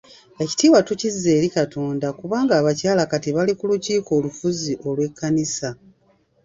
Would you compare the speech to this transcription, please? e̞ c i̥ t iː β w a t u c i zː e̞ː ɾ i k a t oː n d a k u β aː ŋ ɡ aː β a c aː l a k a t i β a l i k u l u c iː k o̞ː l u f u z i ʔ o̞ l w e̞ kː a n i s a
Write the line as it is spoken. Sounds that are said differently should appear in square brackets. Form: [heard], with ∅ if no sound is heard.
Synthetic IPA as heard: e̞ c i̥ t iː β w a t u c i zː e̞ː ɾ i k a t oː n d a k u β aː ŋ ɡ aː β a c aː l a k a t i β a l i k u l u c iː k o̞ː l u f u z i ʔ o̞ l w e̞ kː a n i s a